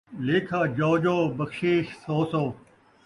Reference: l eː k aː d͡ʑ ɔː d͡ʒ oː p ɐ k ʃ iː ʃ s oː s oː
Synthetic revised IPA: l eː kʰ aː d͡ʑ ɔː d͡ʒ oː b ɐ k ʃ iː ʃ s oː s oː